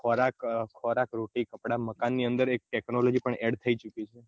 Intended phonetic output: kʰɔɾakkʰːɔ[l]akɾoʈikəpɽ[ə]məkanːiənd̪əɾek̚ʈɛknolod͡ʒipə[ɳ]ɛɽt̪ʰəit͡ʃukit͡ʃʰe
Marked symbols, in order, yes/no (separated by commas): no, no, yes